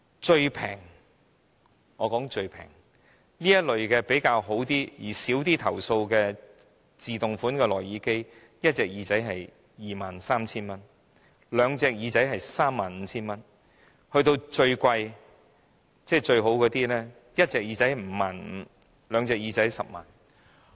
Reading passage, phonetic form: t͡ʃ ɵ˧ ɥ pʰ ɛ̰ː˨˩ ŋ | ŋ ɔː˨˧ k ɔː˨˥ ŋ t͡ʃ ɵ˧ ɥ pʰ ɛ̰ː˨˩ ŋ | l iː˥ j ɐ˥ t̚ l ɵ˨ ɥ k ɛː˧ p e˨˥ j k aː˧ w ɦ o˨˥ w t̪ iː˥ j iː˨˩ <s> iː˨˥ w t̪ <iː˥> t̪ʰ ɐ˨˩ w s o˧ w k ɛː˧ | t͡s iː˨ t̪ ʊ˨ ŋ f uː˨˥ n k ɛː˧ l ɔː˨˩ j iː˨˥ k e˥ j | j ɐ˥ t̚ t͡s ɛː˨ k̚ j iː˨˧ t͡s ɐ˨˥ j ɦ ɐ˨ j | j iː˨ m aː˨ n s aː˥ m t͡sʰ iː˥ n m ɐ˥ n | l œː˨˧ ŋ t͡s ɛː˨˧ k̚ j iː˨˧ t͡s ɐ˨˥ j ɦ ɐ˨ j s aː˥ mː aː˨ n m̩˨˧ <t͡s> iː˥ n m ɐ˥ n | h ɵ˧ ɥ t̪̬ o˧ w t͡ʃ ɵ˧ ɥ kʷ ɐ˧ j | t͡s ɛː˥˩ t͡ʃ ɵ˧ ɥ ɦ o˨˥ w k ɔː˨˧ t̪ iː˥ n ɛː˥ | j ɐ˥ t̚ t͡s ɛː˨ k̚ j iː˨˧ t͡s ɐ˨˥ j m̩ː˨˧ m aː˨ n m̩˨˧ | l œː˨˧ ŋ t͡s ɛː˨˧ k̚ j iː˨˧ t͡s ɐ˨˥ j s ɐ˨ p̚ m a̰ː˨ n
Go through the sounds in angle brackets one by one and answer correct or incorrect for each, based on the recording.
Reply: correct, correct, incorrect

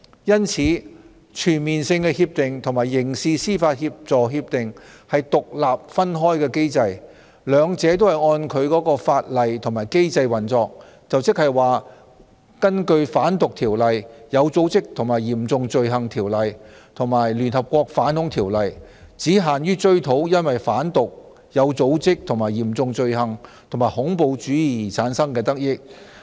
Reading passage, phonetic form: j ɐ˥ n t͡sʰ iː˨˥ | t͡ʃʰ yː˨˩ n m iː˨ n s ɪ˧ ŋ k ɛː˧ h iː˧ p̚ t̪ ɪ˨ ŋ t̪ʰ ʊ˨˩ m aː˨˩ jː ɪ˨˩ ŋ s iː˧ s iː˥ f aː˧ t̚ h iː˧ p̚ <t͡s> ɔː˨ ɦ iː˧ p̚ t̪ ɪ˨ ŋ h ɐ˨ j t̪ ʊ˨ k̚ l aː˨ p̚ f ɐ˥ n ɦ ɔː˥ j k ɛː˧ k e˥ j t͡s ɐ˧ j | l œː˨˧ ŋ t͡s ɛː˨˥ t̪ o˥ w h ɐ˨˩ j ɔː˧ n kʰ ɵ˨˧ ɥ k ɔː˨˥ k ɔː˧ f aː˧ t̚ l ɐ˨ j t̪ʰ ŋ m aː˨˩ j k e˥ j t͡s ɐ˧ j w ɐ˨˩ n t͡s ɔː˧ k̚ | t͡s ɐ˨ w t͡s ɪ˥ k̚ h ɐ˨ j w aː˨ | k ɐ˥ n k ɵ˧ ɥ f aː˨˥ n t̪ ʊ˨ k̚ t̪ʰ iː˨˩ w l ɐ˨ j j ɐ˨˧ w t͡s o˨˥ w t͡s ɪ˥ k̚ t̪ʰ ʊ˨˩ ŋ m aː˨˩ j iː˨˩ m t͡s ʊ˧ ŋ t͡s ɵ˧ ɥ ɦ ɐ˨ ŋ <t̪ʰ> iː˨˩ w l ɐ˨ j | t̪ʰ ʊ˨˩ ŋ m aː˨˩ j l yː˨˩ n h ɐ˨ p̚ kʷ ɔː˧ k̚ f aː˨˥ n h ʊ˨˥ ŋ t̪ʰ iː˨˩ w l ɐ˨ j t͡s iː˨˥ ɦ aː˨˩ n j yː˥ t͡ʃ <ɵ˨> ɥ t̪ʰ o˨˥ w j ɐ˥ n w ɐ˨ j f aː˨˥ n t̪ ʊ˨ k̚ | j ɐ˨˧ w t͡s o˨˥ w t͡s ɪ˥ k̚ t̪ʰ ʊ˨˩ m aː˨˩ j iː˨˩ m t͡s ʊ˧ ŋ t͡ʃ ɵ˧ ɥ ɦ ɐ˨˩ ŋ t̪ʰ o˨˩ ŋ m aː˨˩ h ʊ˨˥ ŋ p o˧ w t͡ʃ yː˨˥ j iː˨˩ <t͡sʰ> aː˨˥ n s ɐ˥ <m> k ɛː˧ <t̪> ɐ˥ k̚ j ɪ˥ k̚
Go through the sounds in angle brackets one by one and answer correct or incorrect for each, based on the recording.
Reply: correct, correct, incorrect, correct, incorrect, correct

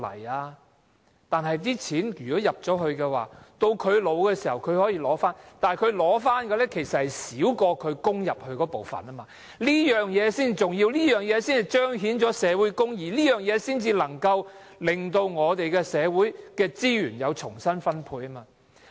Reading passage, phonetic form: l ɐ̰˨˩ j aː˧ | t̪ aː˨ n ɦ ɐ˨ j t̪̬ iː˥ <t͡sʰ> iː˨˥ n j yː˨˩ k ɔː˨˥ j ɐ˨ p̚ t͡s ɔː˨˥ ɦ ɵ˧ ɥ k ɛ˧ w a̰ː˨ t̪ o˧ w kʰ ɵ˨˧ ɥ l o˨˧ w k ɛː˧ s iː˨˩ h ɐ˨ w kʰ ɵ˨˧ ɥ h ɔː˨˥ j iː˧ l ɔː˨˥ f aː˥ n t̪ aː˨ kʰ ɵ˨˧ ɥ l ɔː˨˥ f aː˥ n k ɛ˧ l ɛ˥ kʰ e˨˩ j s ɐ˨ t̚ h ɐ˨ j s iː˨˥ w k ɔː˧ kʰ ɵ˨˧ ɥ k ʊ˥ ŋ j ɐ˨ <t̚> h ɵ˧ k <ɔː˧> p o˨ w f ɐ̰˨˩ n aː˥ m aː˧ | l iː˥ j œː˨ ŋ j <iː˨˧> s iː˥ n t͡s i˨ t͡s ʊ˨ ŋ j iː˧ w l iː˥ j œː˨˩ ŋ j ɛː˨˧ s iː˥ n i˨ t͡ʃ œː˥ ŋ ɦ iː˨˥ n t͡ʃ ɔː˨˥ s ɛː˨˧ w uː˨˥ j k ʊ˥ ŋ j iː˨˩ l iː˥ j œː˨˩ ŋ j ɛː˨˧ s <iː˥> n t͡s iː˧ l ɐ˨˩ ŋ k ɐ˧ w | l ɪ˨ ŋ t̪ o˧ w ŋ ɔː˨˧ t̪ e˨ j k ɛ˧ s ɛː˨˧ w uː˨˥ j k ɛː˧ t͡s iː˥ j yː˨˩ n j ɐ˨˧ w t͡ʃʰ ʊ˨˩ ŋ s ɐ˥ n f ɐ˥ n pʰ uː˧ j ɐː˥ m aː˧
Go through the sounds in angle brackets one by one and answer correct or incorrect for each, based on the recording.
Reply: correct, incorrect, incorrect, incorrect, correct

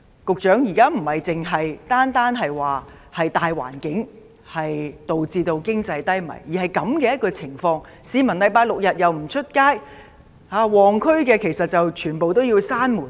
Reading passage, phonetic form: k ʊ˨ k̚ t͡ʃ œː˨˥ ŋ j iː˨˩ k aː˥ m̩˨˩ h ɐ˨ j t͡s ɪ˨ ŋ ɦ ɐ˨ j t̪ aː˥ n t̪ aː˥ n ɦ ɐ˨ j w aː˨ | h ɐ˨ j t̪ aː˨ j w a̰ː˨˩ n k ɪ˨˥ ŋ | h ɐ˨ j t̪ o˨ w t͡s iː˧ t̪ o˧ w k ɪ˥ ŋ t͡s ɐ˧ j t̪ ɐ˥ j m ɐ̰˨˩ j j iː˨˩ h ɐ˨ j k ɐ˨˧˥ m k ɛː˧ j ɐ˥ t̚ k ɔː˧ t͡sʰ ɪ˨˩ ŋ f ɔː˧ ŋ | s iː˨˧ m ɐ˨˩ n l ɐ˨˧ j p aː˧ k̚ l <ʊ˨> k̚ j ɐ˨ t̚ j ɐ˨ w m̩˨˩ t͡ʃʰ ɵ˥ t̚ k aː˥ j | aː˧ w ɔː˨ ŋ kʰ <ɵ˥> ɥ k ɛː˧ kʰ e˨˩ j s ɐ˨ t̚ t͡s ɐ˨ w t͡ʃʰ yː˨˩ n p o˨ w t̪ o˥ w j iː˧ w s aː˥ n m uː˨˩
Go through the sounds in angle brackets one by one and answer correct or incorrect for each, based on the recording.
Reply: correct, correct

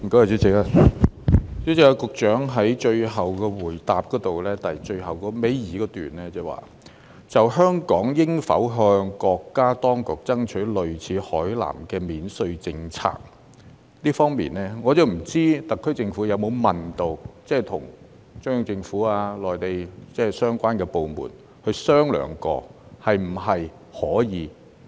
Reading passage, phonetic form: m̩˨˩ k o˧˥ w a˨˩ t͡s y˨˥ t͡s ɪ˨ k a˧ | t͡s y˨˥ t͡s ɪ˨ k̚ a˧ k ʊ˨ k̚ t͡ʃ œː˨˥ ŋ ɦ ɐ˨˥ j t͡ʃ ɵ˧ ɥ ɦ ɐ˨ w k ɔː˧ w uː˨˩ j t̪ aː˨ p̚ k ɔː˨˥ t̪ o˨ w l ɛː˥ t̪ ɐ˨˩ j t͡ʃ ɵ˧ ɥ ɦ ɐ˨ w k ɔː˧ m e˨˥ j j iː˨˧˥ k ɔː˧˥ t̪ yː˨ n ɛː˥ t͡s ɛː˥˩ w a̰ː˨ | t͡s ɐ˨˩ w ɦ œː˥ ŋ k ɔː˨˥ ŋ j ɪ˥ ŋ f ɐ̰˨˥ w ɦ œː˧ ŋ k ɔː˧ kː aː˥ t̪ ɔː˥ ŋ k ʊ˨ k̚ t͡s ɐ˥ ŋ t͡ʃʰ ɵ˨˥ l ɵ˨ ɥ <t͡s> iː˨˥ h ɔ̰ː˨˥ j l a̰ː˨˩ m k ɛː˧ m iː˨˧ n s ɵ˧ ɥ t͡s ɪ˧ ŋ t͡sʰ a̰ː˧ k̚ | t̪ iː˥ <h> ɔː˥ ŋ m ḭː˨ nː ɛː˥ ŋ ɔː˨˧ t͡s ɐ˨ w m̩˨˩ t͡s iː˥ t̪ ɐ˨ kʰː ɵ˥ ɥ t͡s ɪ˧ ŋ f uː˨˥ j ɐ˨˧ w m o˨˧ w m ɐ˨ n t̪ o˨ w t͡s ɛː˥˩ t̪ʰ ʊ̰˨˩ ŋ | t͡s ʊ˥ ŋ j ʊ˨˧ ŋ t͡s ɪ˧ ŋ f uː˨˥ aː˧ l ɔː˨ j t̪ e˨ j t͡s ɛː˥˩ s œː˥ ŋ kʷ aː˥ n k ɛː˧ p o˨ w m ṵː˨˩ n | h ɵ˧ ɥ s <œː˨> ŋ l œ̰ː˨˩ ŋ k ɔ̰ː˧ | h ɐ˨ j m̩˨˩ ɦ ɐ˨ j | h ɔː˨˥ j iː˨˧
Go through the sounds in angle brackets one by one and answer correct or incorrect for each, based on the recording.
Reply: incorrect, incorrect, incorrect

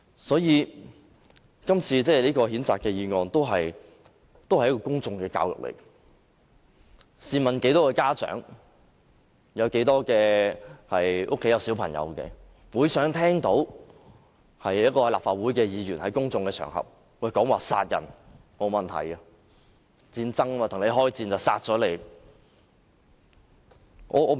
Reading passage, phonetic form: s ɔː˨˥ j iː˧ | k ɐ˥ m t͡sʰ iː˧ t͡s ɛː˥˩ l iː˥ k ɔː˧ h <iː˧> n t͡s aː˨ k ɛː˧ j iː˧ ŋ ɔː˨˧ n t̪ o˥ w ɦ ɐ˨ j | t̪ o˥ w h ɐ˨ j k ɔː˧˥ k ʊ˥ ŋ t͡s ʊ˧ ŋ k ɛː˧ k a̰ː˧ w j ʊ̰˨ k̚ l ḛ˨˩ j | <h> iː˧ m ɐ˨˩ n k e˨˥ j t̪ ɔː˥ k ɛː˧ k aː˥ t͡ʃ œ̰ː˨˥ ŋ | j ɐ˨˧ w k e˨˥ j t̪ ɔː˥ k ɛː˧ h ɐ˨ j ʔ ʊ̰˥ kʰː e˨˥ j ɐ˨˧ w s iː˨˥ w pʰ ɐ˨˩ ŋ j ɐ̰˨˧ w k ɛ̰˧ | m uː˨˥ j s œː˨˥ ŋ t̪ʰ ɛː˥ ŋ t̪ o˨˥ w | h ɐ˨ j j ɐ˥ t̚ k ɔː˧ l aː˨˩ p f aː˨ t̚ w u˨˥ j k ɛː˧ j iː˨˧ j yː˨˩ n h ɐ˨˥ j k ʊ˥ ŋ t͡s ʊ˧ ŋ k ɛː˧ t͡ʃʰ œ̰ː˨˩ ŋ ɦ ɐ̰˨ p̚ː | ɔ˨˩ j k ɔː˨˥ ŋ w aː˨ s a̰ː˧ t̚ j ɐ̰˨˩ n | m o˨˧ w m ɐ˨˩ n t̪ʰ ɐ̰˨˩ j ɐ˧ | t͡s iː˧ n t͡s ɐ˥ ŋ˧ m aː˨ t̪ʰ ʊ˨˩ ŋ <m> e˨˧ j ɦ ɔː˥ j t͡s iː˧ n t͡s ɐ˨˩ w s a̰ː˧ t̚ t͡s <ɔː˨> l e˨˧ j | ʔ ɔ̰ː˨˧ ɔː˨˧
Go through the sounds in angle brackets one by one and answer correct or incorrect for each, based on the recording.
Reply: incorrect, incorrect, incorrect, incorrect

